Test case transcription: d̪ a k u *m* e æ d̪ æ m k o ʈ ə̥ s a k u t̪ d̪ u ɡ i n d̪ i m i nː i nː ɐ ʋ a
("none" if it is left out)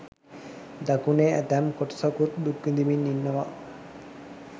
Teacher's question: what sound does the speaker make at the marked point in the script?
n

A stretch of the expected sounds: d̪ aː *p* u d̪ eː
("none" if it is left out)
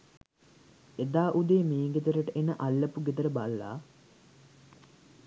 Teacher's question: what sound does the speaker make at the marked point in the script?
ʔ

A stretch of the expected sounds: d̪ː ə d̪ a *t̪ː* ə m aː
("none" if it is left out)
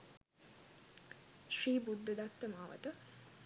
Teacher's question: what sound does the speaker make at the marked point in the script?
t̪ː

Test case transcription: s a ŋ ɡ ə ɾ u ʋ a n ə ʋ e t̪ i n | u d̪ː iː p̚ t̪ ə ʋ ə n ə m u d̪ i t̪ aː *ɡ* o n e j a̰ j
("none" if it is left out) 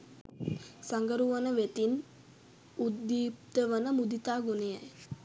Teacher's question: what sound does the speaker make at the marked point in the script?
ɡ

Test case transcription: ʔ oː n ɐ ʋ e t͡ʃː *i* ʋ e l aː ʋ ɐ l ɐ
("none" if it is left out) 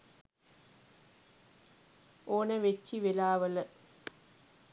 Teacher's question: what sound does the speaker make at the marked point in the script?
i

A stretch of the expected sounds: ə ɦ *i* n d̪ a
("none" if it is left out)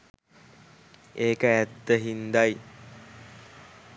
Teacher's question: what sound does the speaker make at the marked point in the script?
i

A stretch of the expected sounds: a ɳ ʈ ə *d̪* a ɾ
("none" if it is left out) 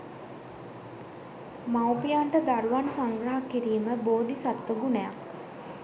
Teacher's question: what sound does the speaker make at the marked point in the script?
d̪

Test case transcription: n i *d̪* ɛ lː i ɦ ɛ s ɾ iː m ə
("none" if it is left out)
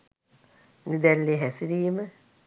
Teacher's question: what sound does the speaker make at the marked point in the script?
d̪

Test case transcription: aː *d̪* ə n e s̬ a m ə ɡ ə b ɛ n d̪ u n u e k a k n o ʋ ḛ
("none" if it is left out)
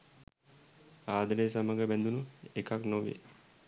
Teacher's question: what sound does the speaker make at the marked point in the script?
d̪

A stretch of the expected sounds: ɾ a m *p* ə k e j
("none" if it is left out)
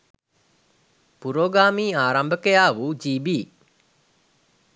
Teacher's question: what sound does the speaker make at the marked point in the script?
b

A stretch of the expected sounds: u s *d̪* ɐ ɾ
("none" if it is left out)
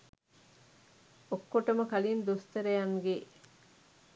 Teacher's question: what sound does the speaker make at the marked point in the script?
t̪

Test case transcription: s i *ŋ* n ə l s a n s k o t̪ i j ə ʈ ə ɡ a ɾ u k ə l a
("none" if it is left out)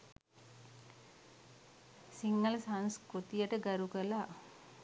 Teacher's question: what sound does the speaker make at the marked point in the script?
ŋ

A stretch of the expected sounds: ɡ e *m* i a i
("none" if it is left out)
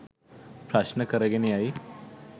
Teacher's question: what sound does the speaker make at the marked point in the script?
n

